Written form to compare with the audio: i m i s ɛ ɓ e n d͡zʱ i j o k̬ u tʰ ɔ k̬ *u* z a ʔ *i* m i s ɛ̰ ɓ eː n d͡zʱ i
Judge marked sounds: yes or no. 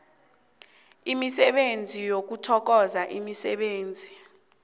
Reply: no, yes

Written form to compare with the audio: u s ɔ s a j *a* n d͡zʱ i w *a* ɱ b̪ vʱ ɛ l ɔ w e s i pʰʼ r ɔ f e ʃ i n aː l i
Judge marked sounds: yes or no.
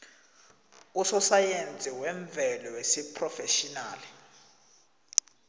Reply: no, no

